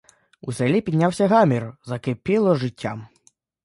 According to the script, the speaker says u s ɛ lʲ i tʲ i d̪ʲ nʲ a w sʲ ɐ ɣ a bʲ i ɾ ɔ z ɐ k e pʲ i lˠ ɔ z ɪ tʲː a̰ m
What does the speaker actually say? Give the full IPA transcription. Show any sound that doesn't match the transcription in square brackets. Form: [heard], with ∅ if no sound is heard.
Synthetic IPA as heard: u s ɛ lʲ i [pʲ] i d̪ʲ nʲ a w sʲ ɐ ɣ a [mʲ] i ɾ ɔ z ɐ k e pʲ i lˠ ɔ [ʐ] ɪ tʲː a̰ m

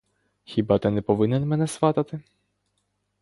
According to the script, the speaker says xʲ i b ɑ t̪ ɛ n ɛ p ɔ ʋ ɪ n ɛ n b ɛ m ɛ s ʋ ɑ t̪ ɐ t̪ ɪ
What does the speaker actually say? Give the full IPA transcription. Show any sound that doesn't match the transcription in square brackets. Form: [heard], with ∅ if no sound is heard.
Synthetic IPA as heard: xʲ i b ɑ t̪ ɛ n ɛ p ɔ ʋ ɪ n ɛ n [m] ɛ [n] ɛ s ʋ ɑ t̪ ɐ t̪ ɪ

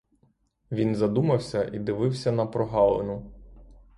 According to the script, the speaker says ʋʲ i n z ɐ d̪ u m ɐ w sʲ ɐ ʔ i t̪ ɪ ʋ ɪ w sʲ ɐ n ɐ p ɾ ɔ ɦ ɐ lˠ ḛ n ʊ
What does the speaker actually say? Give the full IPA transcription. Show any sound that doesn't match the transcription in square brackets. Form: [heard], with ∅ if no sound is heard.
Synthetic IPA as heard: ʋʲ i n z ɐ d̪ u m ɐ w sʲ ɐ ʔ i [d̪] ɪ ʋ ɪ w sʲ ɐ n ɐ p ɾ ɔ ɦ [ɑ] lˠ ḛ n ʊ

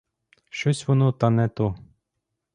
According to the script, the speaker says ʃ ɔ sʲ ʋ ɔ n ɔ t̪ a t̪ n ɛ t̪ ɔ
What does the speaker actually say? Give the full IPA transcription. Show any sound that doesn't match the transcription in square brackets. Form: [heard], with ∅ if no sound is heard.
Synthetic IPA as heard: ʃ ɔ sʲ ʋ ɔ n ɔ t̪ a [∅] n ɛ t̪ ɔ

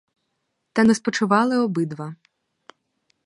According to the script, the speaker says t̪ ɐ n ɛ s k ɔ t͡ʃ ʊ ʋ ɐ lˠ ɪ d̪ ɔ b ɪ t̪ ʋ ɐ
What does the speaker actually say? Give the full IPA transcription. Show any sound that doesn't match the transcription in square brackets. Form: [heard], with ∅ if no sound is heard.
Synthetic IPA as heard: t̪ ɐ n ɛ s [p] ɔ t͡ʃ ʊ ʋ [ɑ] lˠ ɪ [∅] ɔ b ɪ [d̪] ʋ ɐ

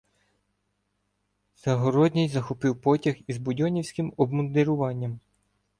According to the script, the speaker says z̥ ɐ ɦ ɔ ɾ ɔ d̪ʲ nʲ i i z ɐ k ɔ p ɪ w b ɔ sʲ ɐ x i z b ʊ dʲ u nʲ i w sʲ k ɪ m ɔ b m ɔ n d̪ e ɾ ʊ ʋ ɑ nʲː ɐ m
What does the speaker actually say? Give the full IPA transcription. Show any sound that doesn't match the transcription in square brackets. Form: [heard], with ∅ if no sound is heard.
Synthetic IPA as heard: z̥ ɐ ɦ ɔ ɾ ɔ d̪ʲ nʲ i [j] z ɐ [x] ɔ p ɪ w [p] ɔ [tʲ] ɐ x i z b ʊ dʲ [ɔ] nʲ i w sʲ k ɪ m ɔ b m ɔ n d̪ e ɾ ʊ ʋ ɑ nʲː ɐ m

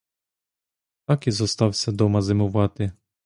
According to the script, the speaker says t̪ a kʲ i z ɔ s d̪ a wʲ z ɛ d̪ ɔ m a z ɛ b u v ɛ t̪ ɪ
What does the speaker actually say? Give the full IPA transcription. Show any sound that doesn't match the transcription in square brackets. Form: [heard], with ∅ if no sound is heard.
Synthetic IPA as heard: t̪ a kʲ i z ɔ s [t̪] a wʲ [s] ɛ d̪ ɔ m a z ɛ [m] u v [a] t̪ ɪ

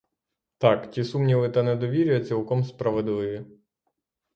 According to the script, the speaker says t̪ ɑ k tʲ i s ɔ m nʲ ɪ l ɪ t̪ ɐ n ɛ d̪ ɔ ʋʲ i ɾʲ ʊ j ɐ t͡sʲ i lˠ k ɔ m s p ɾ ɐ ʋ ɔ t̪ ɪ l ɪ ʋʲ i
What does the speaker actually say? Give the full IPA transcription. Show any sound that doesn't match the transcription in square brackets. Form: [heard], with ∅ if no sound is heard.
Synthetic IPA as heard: t̪ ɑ k tʲ i s [u] m nʲ [i] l ɪ t̪ ɐ n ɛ d̪ ɔ ʋʲ i ɾʲ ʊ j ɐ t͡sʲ i lˠ k ɔ m s p ɾ ɐ ʋ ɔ [d̪] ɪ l ɪ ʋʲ i

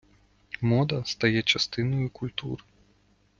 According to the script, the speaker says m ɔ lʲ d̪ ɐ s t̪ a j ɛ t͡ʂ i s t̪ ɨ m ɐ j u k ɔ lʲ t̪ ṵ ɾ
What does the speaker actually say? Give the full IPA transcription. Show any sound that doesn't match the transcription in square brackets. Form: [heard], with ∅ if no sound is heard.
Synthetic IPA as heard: m ɔ [∅] d̪ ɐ s t̪ a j ɛ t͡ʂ [a] s t̪ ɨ [n] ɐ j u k [u] lʲ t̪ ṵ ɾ

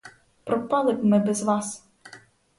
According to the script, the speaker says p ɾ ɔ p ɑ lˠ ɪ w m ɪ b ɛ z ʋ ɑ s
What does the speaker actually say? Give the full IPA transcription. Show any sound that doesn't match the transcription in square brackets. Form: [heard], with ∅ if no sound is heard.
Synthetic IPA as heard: p ɾ ɔ p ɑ lˠ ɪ [b] m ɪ b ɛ z ʋ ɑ s

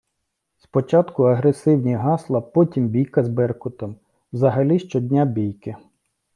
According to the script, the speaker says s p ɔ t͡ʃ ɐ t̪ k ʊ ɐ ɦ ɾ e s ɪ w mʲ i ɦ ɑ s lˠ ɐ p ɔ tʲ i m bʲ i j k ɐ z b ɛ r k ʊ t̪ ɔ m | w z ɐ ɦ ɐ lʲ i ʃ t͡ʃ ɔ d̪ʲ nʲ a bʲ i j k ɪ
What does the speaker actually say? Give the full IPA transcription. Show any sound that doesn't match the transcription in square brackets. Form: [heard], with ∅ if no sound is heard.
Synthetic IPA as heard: s p ɔ t͡ʃ [ɑ] t̪ k ʊ ɐ ɦ ɾ e s ɪ w [nʲ] i ɦ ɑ s lˠ ɐ p ɔ tʲ i m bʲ i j k ɐ z b ɛ r k ʊ t̪ ɔ m | w z ɐ ɦ ɐ lʲ i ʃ t͡ʃ ɔ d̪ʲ nʲ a bʲ i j k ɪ

